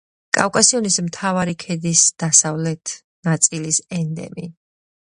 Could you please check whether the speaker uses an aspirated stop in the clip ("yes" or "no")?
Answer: yes